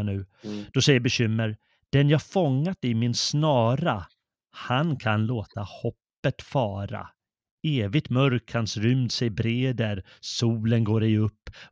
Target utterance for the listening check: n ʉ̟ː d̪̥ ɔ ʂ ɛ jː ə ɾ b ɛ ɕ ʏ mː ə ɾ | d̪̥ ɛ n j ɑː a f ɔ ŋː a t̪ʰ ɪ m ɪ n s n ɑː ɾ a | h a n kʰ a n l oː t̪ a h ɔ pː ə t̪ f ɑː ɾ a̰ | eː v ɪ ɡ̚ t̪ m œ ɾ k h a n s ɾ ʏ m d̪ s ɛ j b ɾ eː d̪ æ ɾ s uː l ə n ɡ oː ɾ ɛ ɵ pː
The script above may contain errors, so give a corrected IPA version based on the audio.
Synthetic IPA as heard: n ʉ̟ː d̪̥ ɔ s ɛ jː ə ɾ b ɛ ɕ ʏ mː ə ɾ | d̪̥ ɛ n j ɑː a f ɔ ŋː a t̪ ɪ m ɪ n s n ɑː ɾ a | h a n kʰ a n l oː t̪ a h ɔ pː ə t̪ f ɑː ɾ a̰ | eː v ɪ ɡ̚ t̪ m œ ɾ k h a n s ɾ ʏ m d̪ s ɛ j b ɾ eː d̪ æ ɾ s uː l ə n ɡ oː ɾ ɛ ɵ pː